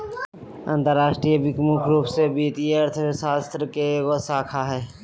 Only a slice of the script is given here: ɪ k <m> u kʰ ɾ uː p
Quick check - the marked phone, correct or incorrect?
correct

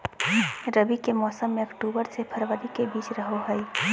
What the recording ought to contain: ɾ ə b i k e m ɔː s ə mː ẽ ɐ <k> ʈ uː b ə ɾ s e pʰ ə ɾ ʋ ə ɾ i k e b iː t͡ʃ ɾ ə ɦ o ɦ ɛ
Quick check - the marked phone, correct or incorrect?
correct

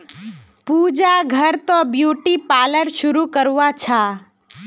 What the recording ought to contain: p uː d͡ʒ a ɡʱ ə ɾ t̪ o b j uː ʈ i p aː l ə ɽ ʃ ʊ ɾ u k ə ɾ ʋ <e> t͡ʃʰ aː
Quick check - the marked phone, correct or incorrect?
incorrect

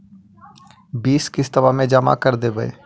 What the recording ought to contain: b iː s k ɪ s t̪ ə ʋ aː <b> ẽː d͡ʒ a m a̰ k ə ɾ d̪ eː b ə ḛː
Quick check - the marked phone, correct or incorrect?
incorrect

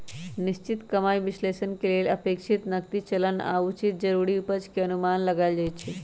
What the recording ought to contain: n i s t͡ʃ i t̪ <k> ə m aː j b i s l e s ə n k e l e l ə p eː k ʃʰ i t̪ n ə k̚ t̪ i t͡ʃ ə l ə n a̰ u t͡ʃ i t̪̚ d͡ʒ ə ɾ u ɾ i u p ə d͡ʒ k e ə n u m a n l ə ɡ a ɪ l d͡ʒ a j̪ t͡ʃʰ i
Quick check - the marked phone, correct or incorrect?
correct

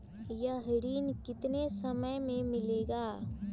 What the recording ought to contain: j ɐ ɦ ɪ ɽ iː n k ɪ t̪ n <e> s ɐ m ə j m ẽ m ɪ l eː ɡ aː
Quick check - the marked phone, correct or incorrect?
correct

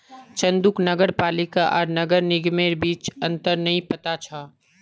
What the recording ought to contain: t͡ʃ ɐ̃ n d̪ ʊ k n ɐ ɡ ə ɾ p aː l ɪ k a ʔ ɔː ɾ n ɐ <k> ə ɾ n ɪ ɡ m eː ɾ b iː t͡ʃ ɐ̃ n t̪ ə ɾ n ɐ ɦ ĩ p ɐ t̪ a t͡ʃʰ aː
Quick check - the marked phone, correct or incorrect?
incorrect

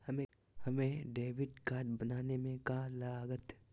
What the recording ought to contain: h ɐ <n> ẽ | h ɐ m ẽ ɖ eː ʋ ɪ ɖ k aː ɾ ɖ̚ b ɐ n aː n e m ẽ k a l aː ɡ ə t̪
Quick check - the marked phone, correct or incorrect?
incorrect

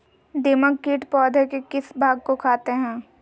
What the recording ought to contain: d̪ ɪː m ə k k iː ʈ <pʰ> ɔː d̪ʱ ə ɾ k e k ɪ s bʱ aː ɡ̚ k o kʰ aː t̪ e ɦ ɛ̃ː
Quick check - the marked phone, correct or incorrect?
incorrect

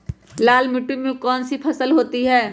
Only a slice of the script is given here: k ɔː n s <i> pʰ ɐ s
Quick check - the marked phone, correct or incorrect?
correct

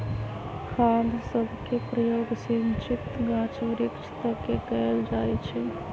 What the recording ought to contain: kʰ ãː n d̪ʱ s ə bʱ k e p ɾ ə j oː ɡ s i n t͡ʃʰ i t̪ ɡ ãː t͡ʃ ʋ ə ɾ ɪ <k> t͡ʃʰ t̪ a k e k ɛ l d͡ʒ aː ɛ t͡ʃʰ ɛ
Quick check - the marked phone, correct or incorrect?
correct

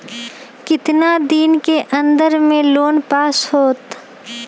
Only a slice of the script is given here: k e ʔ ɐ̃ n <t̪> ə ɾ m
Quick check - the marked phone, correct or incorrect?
incorrect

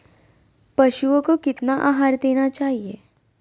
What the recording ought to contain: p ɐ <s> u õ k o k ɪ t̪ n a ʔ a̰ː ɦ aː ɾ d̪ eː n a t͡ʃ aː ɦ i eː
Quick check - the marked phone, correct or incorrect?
incorrect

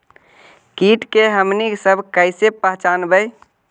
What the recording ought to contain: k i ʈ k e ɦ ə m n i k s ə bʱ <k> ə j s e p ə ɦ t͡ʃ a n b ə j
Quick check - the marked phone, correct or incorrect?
correct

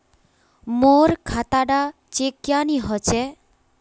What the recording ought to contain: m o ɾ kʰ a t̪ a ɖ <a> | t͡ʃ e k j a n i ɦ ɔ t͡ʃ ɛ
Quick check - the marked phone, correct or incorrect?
correct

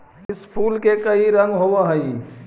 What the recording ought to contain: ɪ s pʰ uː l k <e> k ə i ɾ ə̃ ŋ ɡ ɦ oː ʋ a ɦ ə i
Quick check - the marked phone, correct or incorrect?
correct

